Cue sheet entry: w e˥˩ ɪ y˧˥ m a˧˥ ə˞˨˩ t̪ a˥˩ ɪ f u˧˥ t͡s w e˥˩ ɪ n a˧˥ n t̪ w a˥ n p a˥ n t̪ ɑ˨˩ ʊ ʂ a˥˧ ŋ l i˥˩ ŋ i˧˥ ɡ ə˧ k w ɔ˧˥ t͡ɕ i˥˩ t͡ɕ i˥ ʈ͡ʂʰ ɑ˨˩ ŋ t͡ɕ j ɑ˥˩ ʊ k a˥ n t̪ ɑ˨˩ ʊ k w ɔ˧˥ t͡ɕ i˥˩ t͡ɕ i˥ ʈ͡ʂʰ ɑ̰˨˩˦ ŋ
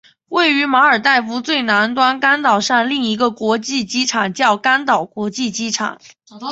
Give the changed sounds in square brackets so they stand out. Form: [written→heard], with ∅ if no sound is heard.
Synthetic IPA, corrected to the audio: w e˥˩ ɪ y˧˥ m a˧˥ ə˞˨˩ t̪ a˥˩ ɪ f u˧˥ t͡s w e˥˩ ɪ n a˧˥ n t̪ w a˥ n [p→k] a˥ n t̪ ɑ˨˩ ʊ ʂ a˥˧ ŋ l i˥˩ ŋ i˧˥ ɡ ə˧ k w ɔ˧˥ t͡ɕ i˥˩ t͡ɕ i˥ ʈ͡ʂʰ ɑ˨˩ ŋ t͡ɕ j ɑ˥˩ ʊ k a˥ n t̪ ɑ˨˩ ʊ k w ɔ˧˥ t͡ɕ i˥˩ t͡ɕ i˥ ʈ͡ʂʰ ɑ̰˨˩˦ ŋ